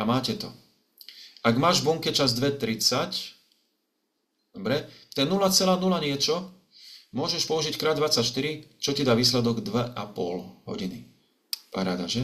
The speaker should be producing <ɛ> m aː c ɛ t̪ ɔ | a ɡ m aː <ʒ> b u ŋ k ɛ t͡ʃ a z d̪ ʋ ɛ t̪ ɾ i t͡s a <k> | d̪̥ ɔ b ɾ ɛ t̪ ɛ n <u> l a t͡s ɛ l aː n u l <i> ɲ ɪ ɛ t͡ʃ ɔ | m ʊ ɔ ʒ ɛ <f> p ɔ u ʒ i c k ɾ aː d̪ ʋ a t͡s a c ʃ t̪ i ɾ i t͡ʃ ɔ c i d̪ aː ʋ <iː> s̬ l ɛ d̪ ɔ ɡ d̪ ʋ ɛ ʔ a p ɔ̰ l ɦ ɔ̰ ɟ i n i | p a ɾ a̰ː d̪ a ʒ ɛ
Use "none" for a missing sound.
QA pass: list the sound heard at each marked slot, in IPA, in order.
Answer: a, ʒ, c, u, a, ʃ, iː

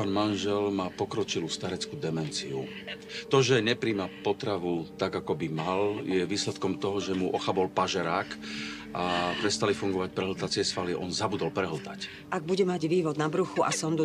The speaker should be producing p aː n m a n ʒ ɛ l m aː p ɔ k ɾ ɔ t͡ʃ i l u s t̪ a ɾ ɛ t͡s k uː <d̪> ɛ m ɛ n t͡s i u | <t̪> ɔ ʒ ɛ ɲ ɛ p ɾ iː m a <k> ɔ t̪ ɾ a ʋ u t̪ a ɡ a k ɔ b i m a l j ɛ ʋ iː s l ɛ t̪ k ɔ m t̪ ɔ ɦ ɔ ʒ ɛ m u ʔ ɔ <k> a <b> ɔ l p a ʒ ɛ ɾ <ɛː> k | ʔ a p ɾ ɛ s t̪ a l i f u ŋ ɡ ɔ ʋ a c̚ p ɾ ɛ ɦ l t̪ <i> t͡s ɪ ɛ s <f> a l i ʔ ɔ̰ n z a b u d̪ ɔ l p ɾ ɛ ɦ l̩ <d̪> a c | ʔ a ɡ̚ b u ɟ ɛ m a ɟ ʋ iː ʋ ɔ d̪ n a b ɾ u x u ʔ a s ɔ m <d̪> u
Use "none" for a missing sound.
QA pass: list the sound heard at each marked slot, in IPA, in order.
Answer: d̪, t̪, p, x, b, aː, a, f, t̪, d̪

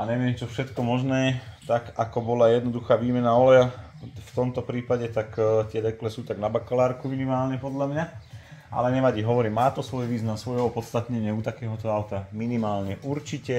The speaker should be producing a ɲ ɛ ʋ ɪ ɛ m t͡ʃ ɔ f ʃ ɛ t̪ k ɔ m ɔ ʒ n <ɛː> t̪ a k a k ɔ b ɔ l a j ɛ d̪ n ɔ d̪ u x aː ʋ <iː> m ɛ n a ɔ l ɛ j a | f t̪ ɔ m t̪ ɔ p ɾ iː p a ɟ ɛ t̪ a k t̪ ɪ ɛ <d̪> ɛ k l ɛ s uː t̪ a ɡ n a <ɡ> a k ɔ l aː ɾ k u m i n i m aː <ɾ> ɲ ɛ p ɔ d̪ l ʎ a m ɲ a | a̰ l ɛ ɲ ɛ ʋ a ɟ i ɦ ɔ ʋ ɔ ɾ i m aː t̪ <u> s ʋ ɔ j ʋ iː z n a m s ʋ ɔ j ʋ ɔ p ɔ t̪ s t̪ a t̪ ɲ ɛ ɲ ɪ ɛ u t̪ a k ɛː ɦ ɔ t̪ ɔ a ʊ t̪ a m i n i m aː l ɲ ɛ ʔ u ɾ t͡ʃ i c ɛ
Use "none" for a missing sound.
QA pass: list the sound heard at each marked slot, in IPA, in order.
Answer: ɛː, iː, d̪, b, l, ɔ

